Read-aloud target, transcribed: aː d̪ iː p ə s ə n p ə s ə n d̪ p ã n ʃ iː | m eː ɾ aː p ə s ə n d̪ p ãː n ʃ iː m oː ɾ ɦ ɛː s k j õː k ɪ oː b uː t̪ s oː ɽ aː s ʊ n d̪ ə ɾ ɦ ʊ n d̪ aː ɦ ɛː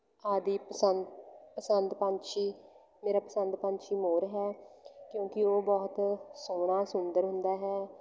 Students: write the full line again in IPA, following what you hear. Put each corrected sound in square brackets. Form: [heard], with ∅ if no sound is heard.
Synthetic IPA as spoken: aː d̪ iː p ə s ə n p ə s ə n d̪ p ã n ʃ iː | m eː ɾ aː p ə s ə n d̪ p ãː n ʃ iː m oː ɾ ɦ ɛː [∅] k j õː k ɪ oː b [ɔː] t̪ s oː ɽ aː s ʊ n d̪ ə ɾ ɦ ʊ n d̪ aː ɦ ɛː